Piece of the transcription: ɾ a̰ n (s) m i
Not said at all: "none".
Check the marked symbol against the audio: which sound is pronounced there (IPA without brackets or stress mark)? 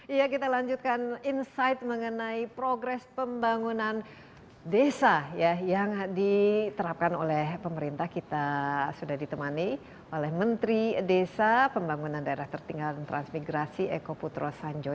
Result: s